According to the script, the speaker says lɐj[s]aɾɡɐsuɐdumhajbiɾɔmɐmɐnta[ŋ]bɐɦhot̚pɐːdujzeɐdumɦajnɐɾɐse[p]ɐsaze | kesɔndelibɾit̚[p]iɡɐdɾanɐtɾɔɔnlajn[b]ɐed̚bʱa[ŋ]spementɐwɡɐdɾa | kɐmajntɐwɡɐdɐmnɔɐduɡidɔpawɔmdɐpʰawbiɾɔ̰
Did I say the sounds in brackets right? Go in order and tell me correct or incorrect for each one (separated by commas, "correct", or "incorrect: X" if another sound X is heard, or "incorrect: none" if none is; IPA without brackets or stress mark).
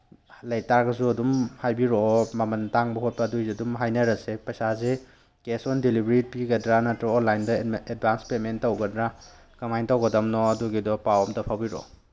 incorrect: t, correct, correct, correct, incorrect: d, incorrect: n